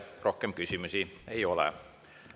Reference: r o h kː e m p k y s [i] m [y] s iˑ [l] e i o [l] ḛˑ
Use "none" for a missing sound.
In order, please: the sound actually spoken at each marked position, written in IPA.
y, y, none, l

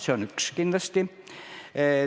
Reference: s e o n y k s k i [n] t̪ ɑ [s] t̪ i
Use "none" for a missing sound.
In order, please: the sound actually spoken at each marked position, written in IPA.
n, s

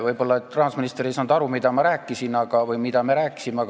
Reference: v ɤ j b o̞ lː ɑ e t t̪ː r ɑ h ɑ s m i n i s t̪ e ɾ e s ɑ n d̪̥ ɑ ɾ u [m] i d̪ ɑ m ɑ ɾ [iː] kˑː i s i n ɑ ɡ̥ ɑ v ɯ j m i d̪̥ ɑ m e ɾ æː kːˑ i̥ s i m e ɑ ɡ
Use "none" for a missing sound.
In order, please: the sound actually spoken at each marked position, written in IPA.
m, æː

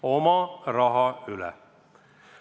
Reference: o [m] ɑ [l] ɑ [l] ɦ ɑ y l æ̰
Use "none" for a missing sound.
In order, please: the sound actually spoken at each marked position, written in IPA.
m, r, none

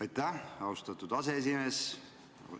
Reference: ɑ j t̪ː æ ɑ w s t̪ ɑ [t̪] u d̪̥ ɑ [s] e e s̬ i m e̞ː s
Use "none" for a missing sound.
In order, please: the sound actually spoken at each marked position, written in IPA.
t̪, s

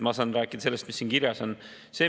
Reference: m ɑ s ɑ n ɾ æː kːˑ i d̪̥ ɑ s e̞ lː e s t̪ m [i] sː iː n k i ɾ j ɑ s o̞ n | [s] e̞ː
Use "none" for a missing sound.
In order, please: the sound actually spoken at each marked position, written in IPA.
i, s

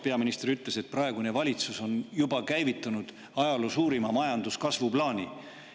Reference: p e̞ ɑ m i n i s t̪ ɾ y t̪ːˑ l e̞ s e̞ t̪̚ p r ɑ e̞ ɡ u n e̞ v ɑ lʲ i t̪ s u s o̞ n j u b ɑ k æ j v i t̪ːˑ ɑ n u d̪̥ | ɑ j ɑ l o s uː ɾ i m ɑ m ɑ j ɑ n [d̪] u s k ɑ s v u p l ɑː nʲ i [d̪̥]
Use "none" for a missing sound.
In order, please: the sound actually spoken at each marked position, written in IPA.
d̪, none

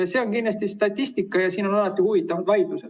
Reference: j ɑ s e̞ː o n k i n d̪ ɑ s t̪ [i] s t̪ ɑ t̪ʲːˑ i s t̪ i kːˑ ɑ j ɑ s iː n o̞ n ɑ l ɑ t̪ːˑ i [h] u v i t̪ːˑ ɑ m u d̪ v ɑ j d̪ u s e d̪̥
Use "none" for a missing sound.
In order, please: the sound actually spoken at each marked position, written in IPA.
i, h

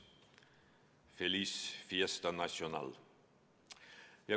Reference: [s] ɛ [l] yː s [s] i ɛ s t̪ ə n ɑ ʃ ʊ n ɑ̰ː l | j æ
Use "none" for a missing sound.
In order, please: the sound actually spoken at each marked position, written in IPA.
f, l, f

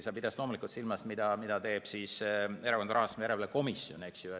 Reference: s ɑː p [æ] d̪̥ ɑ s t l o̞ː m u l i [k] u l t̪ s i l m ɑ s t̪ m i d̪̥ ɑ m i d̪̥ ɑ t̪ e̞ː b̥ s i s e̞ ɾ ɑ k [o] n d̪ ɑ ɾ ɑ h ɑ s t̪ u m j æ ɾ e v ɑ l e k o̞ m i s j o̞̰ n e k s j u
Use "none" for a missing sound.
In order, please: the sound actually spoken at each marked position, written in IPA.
i, k, o

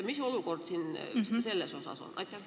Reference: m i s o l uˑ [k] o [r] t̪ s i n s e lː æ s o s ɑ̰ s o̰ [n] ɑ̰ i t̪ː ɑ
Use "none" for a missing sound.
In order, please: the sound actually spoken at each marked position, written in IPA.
k, r, n

